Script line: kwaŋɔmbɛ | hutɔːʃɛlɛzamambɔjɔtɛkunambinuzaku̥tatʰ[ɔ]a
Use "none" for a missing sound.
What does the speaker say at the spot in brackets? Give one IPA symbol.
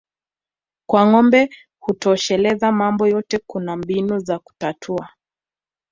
u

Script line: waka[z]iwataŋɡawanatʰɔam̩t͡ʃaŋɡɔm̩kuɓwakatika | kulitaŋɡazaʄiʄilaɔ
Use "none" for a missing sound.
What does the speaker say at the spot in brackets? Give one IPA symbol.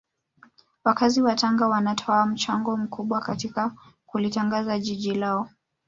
z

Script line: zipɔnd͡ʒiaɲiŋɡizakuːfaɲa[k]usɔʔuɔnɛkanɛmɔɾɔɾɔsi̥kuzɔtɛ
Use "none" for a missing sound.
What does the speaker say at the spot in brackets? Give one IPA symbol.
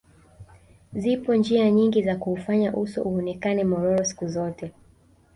ʔ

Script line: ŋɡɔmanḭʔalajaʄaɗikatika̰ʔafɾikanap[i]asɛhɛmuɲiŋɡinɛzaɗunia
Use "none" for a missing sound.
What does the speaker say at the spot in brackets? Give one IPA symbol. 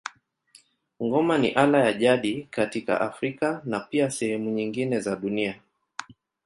i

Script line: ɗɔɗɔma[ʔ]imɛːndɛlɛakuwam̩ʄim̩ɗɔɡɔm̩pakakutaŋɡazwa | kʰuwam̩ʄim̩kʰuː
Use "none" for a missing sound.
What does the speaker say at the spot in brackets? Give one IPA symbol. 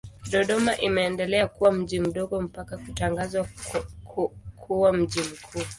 ʔ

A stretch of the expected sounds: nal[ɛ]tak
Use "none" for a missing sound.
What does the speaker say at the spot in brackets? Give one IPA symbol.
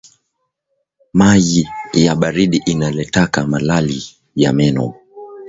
ɛ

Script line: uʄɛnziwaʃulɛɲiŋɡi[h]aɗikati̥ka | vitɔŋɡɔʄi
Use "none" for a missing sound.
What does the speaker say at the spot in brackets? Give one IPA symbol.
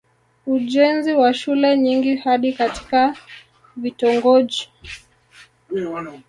h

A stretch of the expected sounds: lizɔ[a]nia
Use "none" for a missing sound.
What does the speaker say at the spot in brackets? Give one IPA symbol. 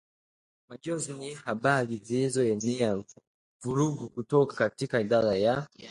ɛ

